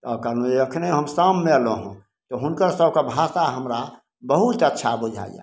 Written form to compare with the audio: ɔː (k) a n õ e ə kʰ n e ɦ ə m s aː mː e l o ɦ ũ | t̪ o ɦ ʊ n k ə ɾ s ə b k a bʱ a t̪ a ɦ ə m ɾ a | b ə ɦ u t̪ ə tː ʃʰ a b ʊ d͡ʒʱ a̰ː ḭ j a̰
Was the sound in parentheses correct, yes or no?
yes